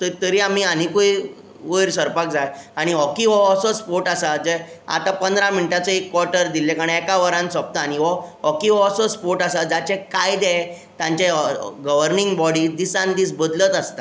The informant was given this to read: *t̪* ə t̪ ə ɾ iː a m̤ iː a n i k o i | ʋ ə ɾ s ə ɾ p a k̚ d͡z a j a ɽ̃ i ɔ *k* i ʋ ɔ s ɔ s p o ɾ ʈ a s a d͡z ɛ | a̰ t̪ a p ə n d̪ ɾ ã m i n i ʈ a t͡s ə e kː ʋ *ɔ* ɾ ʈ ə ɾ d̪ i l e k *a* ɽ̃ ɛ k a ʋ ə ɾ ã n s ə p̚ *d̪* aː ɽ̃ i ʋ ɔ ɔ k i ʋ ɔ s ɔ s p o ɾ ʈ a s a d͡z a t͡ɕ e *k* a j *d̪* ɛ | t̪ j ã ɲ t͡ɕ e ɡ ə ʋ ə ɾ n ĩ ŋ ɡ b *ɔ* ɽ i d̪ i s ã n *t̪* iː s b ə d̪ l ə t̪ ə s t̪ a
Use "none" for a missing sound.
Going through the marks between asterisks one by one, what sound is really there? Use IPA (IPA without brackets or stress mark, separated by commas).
t̪, k, ɔ, a, t̪, k, d̪, ɔ, d̪